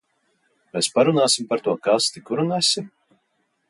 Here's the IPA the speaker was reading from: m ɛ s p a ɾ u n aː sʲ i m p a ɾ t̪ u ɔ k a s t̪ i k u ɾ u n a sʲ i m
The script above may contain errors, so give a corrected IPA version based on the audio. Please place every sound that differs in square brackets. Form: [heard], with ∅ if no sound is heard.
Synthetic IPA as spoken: m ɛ s p a ɾ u n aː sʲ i m p a ɾ t̪ u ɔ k a s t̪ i k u ɾ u n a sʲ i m